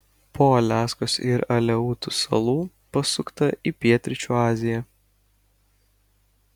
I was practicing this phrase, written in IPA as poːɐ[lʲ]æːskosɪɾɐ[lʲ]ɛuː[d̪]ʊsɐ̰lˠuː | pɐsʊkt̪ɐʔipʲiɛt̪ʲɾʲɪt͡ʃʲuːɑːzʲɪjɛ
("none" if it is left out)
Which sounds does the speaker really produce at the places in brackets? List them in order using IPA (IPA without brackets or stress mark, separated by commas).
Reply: lʲ, lʲ, t̪